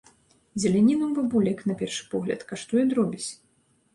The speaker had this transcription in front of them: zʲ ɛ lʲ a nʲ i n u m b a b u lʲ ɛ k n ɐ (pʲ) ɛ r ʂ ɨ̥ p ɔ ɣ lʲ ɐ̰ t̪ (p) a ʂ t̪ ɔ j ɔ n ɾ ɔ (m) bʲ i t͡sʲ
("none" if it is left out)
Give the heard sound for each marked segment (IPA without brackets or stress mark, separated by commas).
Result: pʲ, k, none